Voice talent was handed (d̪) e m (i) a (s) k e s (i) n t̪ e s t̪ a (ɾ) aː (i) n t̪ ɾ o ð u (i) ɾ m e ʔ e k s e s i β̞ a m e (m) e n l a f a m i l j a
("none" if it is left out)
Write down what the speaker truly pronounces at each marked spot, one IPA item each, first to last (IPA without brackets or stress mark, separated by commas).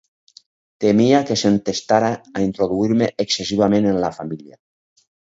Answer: t̪, i, none, e, ɾ, i, i, n